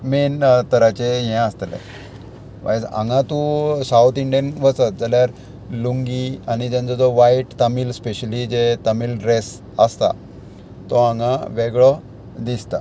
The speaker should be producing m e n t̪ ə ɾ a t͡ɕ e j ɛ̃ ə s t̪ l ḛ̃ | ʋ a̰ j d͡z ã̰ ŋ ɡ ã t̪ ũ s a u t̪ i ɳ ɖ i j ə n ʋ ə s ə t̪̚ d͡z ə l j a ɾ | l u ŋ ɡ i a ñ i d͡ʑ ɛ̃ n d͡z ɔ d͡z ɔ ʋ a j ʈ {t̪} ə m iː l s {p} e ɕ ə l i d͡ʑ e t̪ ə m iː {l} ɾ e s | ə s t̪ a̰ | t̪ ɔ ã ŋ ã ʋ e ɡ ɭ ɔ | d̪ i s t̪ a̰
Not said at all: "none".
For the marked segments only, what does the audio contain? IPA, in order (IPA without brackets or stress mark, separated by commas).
t̪, p, l